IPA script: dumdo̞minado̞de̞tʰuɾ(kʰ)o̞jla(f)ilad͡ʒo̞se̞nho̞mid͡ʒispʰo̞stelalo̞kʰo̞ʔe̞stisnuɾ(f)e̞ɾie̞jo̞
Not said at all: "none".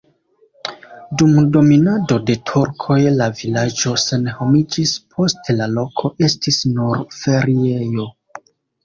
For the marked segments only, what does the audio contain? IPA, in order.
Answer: kʰ, v, f

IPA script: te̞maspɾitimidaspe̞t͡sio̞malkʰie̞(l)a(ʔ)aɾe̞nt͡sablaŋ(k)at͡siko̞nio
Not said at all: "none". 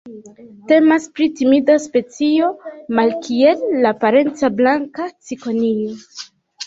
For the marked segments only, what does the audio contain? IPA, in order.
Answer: lː, p, k

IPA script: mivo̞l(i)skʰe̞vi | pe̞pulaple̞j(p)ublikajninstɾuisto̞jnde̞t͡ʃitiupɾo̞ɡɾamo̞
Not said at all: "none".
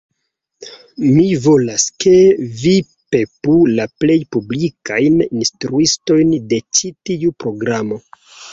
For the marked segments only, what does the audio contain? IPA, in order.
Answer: a, p

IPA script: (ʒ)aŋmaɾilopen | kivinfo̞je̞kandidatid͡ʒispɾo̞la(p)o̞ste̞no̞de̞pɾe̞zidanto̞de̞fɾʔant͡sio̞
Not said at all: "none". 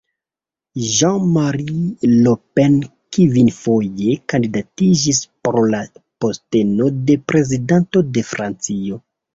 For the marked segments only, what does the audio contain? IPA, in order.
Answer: ʒ, p

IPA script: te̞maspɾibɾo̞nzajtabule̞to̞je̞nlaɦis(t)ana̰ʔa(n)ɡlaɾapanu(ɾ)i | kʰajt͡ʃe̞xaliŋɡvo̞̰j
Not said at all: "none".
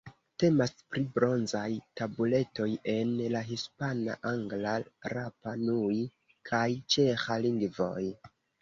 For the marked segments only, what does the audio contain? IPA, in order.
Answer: p, ŋ, none

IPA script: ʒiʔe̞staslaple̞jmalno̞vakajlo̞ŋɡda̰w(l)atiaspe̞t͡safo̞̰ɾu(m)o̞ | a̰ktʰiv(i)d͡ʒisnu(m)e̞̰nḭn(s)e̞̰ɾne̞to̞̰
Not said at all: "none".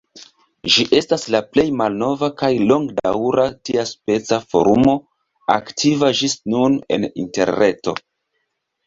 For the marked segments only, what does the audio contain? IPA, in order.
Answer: ɾ, m, a, n, t

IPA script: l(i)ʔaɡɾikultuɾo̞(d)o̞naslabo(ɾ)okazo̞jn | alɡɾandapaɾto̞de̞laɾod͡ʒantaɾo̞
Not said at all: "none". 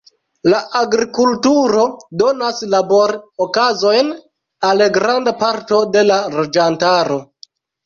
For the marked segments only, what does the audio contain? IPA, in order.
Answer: a, d, ɾ

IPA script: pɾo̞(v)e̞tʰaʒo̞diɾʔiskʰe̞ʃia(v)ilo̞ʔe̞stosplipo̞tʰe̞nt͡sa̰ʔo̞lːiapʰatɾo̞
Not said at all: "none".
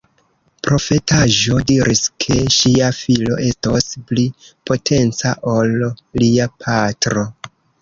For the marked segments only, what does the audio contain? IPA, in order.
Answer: f, f

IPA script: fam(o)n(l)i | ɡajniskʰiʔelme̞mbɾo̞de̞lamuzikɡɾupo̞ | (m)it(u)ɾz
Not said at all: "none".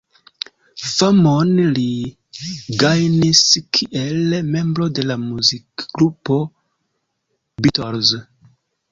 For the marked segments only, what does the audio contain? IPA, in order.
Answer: o, l, b, o

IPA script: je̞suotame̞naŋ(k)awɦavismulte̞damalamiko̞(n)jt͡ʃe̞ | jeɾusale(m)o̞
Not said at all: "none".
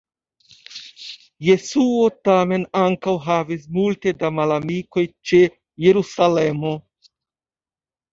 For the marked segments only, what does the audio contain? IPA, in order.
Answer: k, none, m

